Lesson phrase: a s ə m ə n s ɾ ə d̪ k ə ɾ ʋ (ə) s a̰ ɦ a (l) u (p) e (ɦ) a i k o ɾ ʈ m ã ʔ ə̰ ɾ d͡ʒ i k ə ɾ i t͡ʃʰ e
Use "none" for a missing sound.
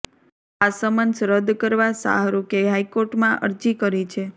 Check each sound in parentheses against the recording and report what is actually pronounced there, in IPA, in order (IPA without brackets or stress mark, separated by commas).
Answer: a, ɾ, k, ɦ